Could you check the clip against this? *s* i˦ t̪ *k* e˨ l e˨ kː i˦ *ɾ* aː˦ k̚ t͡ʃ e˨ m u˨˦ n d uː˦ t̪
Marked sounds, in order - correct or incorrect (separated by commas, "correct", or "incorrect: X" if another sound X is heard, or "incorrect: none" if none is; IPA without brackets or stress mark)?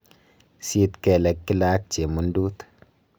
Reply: correct, correct, incorrect: l